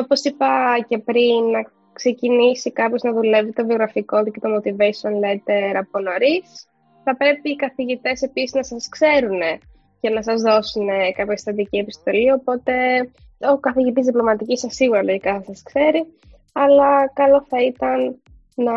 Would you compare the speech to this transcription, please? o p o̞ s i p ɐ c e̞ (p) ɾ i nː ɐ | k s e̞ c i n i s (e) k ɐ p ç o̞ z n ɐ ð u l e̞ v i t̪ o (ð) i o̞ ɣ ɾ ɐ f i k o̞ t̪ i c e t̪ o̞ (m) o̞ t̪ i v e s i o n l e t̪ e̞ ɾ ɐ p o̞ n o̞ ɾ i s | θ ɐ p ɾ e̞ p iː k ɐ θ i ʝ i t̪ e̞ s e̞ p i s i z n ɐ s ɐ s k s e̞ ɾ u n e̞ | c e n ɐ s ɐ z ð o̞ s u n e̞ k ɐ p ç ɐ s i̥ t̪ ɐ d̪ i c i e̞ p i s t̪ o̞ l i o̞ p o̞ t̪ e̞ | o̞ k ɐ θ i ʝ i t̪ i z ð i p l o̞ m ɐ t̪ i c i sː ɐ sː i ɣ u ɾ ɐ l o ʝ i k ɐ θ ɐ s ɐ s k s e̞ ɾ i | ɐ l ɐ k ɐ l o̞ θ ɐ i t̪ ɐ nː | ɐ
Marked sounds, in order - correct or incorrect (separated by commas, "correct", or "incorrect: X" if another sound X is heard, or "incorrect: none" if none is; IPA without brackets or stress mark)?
correct, incorrect: i, incorrect: v, correct